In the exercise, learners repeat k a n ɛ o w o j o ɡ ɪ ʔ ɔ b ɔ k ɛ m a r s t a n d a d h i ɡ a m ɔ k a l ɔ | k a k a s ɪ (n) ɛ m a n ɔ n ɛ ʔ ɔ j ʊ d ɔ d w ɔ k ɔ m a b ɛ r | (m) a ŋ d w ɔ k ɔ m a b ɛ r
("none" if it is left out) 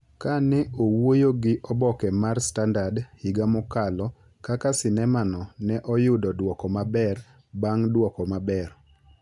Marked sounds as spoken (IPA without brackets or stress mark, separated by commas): n, b